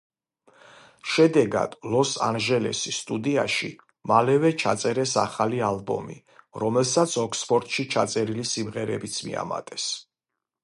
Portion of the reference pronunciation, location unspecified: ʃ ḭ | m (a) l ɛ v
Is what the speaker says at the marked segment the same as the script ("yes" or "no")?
yes